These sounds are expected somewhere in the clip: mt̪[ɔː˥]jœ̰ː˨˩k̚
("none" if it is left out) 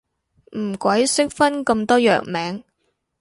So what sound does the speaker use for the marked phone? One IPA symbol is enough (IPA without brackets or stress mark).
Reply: ɔː˥